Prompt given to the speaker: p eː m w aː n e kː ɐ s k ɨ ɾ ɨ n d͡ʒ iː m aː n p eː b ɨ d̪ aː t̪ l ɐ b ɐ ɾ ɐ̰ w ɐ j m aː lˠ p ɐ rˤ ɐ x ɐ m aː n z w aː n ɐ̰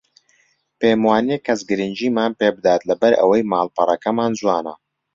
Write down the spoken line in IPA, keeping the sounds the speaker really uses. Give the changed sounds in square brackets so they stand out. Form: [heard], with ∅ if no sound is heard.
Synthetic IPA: p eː m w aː n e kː ɐ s [ɡ] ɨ ɾ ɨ n d͡ʒ iː m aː n p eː b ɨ d̪ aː t̪ l ɐ b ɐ ɾ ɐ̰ w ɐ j m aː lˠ p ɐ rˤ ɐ [k] ɐ m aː n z w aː n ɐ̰